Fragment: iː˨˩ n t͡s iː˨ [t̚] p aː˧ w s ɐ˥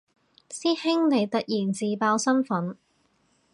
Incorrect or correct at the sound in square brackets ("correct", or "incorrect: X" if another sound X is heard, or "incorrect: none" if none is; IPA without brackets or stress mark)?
incorrect: none